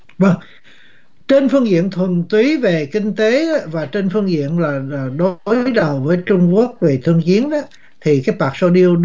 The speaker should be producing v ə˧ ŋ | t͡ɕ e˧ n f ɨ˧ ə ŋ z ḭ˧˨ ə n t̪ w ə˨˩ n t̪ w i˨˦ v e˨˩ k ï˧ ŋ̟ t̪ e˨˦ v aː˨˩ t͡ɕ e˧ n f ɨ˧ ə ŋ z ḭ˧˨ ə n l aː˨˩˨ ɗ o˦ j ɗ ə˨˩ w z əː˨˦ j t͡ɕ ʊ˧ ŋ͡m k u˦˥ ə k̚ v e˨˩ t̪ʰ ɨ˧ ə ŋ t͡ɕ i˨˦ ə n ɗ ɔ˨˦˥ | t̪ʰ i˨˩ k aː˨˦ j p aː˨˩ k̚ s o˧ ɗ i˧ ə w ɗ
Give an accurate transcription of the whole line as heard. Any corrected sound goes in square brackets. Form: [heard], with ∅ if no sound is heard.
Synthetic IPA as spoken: v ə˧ ŋ | t͡ɕ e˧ n f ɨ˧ ə ŋ z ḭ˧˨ ə n [t̪ʰ] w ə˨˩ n t̪ w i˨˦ v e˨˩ k ï˧ ŋ̟ t̪ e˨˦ v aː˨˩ t͡ɕ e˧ n f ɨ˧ ə ŋ z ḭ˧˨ ə n l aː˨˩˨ ɗ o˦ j ɗ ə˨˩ w [v] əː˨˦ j t͡ɕ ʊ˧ ŋ͡m k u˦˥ ə k̚ v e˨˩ t̪ʰ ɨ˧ ə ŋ t͡ɕ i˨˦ ə n ɗ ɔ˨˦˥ | t̪ʰ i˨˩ k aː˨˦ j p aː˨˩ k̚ s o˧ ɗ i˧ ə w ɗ